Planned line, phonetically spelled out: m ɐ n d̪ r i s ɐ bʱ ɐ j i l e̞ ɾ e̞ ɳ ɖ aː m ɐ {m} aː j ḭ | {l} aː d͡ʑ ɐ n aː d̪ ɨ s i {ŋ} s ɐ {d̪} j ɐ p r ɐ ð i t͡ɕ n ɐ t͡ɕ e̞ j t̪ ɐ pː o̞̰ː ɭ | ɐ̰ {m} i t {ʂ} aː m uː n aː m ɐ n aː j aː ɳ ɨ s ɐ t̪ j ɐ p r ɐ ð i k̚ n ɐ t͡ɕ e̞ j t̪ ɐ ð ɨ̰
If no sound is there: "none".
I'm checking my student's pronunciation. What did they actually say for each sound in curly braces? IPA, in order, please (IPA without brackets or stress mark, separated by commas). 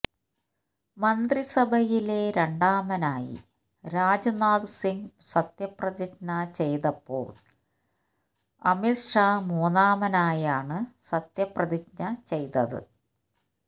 n, ɾ, ŋ, t̪, m, ʂ